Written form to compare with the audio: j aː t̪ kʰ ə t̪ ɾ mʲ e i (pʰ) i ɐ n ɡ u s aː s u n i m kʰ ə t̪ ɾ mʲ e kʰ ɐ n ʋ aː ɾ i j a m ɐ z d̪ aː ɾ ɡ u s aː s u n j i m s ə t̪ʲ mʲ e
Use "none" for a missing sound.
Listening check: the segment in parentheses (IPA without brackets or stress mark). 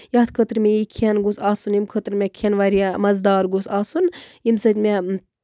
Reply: kʰ